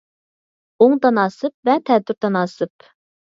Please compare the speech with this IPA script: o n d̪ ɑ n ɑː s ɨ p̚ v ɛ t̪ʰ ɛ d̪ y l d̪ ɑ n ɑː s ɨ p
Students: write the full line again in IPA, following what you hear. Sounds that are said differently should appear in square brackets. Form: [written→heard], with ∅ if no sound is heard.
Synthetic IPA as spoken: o [n→ŋ] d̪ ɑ n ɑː s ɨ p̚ v ɛ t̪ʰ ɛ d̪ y [l→ɾ] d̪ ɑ n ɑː s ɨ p